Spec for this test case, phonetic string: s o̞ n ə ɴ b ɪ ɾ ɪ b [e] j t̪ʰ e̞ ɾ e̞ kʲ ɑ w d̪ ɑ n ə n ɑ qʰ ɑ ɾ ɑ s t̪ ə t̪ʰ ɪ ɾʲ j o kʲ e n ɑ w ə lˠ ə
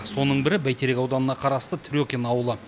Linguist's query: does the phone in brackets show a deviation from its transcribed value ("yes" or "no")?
yes